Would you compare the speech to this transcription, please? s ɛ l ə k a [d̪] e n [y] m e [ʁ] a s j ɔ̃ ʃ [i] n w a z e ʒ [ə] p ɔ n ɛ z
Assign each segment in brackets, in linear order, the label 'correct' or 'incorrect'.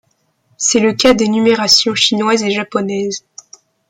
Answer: correct, correct, correct, correct, incorrect: a

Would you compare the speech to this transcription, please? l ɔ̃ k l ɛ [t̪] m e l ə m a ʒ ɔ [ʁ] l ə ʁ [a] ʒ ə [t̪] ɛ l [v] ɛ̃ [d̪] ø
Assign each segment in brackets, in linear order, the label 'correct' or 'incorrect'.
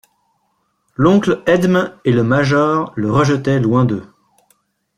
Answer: incorrect: d̪, correct, incorrect: ə, correct, incorrect: w, correct

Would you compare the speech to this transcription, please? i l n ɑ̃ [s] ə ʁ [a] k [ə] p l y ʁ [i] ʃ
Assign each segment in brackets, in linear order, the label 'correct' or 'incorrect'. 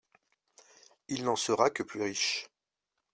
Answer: correct, correct, correct, correct

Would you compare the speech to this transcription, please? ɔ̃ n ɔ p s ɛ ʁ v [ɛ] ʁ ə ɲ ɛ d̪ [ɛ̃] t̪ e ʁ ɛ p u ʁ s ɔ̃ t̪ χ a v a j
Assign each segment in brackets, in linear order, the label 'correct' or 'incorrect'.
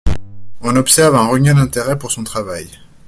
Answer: incorrect: ɛ̃, correct

